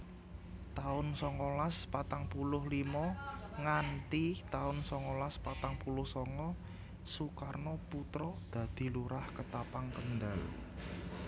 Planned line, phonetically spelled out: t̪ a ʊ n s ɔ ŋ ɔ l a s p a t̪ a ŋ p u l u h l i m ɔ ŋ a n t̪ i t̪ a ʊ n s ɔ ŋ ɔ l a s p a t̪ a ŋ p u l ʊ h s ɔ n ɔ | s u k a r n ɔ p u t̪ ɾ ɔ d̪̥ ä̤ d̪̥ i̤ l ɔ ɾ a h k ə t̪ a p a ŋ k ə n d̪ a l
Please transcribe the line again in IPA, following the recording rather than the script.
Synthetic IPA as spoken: t̪ a ʊ n s ɔ ŋ ɔ l a s p a t̪ a ŋ p u l ʊ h l i m ɔ ŋ a n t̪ i t̪ a ʊ n s ɔ ŋ ɔ l a s p a t̪ a ŋ p u l ʊ h s ɔ ŋ ɔ | s u k a r n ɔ p u t̪ ɾ ɔ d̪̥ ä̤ d̪̥ i̤ l u ɾ a h k ə t̪ a p a ŋ k ə n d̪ a l

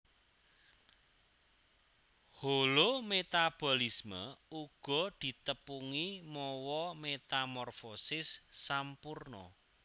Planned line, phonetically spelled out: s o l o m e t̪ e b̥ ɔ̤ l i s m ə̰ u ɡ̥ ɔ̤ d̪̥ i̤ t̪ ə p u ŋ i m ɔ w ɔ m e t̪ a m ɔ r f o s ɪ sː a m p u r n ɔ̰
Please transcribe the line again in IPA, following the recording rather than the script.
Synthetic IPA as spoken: h o l o m e t̪ a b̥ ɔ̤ l i s m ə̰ u ɡ̥ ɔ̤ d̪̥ i̤ t̪ ə p u ŋ i m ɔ w ɔ m e t̪ a m ɔ r f o s ɪ sː a m p u r n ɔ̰

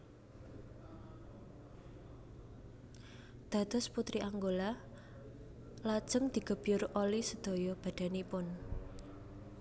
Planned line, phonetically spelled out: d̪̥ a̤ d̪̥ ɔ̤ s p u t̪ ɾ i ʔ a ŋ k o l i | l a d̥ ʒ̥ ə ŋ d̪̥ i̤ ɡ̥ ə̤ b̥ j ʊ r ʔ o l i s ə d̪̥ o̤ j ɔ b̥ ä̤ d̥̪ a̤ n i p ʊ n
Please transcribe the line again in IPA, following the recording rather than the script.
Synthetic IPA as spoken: d̪̥ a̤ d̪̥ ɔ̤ s p u t̪ ɾ i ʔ a ŋ ɡ o l a | l a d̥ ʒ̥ ə ŋ d̪̥ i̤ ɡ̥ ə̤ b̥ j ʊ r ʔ o l i s ə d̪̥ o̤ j ɔ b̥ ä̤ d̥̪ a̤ n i p ʊ n

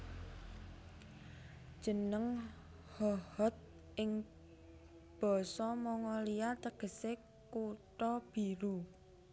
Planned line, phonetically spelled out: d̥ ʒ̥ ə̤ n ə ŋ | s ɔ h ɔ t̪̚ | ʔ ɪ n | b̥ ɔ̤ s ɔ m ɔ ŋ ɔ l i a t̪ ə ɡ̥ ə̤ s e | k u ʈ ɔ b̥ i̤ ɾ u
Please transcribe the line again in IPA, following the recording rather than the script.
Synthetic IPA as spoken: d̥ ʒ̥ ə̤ n ə ŋ | h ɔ h ɔ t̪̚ | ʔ ɪ ŋ | b̥ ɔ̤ s ɔ m ɔ ŋ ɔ l i a t̪ ə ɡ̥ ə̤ s e | k u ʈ ɔ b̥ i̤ ɾ u

